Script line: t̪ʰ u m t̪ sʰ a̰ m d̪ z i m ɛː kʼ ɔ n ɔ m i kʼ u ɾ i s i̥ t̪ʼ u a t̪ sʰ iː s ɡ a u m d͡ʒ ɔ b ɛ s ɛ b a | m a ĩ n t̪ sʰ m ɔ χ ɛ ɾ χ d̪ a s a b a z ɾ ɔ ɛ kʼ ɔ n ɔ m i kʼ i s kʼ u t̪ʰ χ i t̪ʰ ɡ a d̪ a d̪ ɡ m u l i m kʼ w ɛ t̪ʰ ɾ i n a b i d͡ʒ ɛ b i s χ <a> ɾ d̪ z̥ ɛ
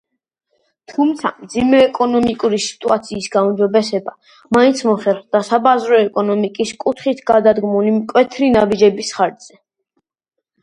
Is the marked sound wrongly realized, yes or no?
no